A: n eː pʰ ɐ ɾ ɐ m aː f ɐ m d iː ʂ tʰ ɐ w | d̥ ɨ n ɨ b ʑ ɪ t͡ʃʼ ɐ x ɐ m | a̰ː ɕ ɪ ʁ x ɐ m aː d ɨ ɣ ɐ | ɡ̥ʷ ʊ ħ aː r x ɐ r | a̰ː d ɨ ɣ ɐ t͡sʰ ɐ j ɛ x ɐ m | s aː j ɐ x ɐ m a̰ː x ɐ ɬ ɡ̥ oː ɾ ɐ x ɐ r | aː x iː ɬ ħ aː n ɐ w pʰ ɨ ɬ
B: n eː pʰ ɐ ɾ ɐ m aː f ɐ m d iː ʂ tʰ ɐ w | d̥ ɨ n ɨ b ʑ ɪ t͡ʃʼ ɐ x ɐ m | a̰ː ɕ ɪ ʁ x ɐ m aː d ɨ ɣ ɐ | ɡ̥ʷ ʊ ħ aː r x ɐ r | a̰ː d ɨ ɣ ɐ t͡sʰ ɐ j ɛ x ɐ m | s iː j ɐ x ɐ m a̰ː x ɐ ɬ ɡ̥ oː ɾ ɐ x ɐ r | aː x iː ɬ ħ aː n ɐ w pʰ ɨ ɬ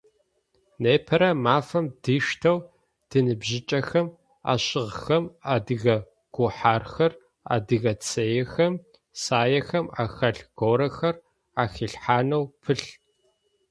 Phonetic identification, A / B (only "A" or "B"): A